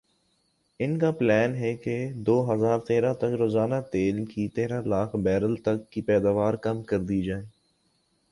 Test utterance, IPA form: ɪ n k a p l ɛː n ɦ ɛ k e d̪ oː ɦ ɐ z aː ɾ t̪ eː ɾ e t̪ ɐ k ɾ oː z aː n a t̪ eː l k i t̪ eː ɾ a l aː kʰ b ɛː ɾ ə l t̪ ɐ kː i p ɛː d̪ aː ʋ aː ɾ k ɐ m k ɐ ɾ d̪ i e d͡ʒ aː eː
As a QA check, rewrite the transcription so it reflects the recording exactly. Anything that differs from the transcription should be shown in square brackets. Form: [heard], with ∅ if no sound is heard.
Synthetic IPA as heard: ɪ n k a p l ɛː n ɦ ɛ k e d̪ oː ɦ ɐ z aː ɾ t̪ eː ɾ [a] t̪ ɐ k ɾ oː z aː n a t̪ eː l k i t̪ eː ɾ a l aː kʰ b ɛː ɾ ə l t̪ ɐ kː i p ɛː d̪ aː ʋ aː ɾ k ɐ m k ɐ ɾ d̪ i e d͡ʒ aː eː